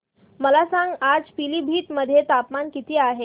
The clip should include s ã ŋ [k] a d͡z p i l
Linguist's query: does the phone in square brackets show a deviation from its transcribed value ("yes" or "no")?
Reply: yes